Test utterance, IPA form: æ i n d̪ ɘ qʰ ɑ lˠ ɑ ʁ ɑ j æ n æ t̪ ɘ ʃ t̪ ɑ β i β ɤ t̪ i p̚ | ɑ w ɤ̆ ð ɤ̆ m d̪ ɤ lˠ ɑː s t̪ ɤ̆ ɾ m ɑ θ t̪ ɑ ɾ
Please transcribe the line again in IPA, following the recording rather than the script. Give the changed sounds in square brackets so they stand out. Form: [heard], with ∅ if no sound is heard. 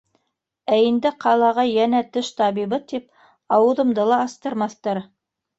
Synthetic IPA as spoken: æ i n d̪ ɘ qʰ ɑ lˠ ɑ ʁ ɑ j æ n æ t̪ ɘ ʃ t̪ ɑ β i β ɤ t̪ i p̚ | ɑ w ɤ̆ ð ɤ̆ m d̪ ɤ lˠ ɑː s t̪ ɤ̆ ɾ m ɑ θ t̪ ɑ ɾ